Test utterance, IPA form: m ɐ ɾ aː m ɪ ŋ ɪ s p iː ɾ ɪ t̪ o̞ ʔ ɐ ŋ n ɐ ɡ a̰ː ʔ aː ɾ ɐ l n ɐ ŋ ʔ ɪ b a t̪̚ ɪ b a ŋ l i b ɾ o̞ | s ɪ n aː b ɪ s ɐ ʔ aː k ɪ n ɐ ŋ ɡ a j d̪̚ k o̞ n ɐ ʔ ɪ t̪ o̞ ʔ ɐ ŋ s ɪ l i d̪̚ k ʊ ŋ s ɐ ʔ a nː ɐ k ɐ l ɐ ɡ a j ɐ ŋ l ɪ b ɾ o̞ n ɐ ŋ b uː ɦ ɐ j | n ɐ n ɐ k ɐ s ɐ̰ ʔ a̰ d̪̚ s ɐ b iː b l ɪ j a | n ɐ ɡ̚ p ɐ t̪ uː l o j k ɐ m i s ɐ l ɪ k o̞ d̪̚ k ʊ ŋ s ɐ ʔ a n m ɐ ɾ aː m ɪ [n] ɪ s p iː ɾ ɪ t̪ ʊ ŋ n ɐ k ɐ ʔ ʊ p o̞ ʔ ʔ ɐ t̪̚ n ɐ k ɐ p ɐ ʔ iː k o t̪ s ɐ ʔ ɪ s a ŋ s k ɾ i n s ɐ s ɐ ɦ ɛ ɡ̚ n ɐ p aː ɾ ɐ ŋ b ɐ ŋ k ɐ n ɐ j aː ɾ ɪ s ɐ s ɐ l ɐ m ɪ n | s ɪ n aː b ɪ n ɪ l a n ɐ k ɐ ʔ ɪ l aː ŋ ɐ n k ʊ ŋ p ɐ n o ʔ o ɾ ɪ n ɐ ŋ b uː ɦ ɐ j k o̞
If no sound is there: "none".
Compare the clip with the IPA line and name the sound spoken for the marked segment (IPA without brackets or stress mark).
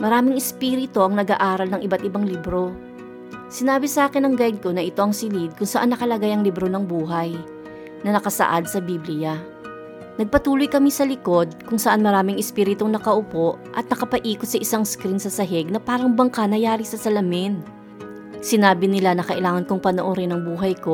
ŋ